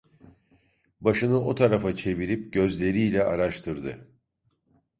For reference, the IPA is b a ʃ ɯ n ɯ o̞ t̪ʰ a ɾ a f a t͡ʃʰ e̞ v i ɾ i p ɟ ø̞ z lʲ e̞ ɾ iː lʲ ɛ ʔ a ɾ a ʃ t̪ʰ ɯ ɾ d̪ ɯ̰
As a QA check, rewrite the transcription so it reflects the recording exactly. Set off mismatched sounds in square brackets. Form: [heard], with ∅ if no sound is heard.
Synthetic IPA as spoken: b a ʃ ɯ n ɯ o̞ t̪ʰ a ɾ a f a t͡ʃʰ e̞ v i ɾ i p ɟ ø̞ z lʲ e̞ ɾ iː lʲ ɛ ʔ a ɾ a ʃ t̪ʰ ɯ ɾ d̪ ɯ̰